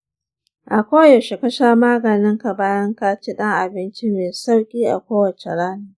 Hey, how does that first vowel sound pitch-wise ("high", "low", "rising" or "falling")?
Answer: low